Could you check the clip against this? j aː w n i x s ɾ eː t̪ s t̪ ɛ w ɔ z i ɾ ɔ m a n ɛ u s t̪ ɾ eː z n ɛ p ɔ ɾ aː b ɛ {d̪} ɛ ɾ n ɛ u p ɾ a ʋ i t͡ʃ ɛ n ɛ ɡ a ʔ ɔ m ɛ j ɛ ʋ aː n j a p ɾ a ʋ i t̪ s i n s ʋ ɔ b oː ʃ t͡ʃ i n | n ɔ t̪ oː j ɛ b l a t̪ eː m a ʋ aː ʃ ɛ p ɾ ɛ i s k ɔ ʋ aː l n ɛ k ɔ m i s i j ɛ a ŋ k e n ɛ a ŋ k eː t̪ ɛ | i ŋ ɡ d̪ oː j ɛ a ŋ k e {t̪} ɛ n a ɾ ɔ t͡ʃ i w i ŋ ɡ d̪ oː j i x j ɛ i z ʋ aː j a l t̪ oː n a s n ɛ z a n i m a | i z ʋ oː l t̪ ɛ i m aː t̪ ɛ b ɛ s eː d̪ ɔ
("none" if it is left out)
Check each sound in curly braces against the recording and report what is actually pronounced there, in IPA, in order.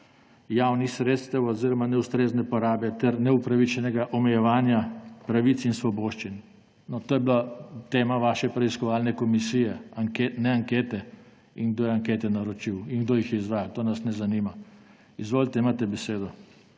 t̪, t̪

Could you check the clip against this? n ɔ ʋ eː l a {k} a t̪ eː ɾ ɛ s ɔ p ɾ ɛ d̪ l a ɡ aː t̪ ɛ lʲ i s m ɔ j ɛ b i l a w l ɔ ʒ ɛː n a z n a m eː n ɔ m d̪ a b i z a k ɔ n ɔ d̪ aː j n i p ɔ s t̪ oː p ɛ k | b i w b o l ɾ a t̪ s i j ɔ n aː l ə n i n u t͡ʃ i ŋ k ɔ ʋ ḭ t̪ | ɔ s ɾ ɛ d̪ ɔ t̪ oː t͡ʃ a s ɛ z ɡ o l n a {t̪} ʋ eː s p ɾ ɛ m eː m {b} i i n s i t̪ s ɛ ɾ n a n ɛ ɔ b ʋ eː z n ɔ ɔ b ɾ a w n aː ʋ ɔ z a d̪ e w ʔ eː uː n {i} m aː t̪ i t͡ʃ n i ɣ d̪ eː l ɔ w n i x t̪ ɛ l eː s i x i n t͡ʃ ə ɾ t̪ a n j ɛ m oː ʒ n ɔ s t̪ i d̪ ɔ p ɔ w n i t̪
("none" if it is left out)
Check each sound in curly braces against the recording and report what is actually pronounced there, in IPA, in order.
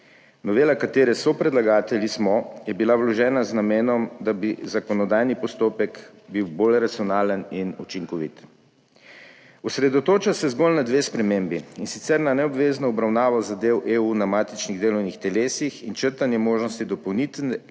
k, d̪, b, a

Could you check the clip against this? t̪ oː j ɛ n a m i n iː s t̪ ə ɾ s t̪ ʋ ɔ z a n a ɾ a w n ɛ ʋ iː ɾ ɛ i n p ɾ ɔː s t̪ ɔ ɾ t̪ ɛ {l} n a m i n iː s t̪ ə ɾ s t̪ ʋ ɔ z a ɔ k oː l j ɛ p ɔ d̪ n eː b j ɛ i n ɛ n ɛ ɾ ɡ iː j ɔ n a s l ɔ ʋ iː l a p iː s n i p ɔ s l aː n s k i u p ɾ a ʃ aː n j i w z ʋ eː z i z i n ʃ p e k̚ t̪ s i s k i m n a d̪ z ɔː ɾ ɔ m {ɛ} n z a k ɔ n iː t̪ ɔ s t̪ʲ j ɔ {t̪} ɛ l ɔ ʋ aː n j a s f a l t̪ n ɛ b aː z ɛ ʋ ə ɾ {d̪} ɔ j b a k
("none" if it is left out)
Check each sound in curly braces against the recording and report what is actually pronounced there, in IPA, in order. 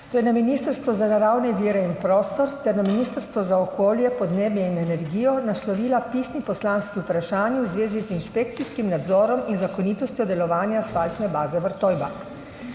ɾ, i, d̪, t̪

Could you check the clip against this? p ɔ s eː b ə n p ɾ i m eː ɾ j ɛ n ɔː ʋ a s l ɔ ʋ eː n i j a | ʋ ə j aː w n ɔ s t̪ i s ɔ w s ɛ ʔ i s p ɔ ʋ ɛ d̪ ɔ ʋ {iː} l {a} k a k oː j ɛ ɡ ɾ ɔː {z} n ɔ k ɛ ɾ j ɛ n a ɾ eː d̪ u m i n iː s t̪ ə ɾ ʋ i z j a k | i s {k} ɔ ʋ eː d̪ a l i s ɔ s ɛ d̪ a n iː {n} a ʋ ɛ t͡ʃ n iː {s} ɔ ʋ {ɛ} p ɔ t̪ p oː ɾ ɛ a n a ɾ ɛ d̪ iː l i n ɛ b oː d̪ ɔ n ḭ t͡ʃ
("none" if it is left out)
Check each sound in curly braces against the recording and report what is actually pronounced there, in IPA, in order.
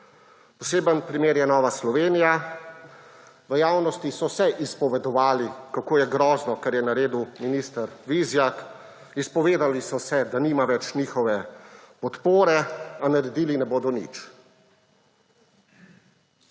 aː, i, z, p, m, x, ɛ

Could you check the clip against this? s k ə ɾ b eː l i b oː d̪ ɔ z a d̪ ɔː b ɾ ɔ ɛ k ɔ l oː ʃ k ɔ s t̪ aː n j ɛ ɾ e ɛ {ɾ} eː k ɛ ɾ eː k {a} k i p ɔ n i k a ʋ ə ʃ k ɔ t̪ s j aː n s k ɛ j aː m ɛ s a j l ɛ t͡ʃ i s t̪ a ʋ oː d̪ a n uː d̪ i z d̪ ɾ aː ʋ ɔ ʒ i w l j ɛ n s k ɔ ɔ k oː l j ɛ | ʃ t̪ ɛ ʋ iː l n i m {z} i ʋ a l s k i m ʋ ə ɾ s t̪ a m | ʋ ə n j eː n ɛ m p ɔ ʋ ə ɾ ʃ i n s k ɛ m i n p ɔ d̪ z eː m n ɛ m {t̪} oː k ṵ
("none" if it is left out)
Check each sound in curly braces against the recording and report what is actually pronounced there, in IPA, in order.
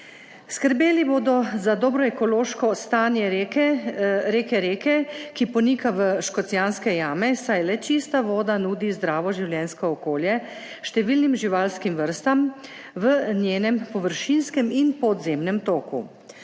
ɾ, ɛ, ʒ, t̪

